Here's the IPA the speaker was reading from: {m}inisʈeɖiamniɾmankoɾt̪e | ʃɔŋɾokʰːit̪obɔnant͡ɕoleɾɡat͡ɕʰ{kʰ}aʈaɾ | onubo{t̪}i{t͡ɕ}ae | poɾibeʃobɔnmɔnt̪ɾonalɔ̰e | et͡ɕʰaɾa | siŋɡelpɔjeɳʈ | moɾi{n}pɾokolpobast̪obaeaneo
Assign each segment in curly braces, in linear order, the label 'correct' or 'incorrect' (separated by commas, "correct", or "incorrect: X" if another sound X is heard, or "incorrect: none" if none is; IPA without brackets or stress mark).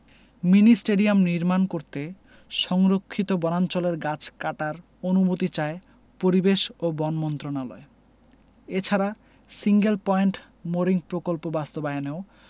correct, incorrect: k, correct, correct, incorrect: ŋ